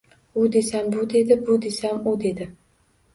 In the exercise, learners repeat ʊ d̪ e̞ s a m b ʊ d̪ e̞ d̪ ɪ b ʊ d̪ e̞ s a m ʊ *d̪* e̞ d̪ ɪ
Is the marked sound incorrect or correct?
correct